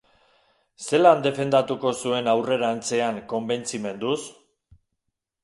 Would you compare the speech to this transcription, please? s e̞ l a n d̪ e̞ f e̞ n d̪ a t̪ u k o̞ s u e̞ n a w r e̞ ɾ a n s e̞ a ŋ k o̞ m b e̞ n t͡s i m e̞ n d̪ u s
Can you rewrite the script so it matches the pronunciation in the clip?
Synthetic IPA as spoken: s e̞ l a n d̪ e̞ f e̞ n d̪ a t̪ u k o̞ s u e̞ n a w r e̞ ɾ a n t͡s e̞ a ŋ k o̞ m b e̞ n t͡s i m e̞ n d̪ u s